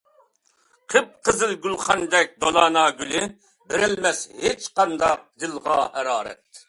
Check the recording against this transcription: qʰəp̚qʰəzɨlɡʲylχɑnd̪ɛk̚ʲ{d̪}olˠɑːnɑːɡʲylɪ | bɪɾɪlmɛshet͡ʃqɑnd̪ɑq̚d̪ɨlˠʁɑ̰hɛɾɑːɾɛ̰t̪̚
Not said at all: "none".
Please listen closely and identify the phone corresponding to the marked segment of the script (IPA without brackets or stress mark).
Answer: d̪